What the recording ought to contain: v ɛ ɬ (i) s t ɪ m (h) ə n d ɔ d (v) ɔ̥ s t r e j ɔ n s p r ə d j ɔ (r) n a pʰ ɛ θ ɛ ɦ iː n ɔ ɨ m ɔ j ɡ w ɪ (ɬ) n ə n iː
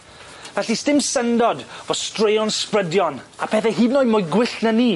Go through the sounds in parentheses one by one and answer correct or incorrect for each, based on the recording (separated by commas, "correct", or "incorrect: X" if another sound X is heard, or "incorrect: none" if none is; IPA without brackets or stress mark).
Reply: correct, incorrect: s, correct, incorrect: none, correct